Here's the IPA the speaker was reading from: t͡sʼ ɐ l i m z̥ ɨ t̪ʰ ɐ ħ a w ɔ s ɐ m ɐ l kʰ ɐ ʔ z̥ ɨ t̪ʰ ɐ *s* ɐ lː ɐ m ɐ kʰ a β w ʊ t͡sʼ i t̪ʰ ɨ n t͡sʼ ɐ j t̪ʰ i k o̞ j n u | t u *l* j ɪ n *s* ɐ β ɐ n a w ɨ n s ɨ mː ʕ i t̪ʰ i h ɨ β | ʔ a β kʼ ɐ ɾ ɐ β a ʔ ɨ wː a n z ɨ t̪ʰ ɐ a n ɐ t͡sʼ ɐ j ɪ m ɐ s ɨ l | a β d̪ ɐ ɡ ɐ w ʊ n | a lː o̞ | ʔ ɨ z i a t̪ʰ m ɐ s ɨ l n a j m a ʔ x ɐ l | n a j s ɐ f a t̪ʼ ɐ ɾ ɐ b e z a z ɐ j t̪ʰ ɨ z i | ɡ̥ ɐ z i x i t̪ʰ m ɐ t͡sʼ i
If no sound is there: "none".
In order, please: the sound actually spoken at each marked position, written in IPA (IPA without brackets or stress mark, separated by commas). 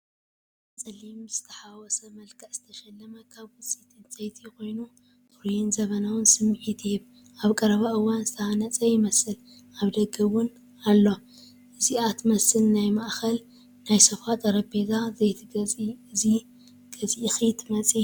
ʃ, ɾ, z